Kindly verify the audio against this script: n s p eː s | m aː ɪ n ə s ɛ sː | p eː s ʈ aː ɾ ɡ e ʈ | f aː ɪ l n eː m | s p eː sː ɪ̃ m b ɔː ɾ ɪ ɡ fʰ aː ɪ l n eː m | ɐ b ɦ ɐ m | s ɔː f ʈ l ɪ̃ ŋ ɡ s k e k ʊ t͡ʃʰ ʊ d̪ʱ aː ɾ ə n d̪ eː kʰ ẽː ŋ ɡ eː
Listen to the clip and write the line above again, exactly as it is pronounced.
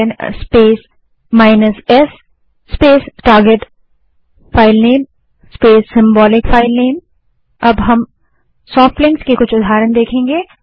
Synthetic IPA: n s p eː s | m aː ɪ n ə s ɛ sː | p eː s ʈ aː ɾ ɡ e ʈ | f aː ɪ l n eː m | s p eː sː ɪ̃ m b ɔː l ɪ k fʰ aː ɪ l n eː m | ɐ b ɦ ɐ m | s ɔː f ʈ l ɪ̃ ŋ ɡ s k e k ʊ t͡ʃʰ ʊ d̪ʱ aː ɾ ə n d̪ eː kʰ ẽː ŋ ɡ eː